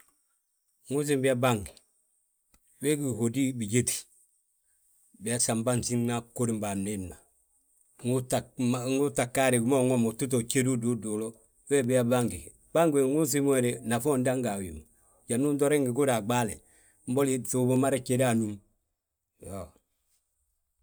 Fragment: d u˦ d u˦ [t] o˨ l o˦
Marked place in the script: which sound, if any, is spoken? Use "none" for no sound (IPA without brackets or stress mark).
d